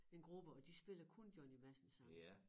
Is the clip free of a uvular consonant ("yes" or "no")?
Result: no